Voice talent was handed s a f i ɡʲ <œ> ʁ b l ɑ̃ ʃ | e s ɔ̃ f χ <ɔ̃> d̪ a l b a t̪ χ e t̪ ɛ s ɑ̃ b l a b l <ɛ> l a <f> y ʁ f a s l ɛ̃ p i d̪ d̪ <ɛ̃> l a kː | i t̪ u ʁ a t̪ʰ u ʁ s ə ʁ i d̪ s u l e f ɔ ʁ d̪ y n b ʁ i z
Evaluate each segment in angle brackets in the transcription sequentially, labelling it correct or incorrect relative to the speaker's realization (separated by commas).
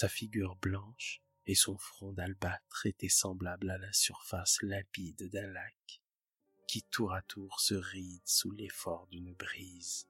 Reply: incorrect, correct, incorrect, incorrect, correct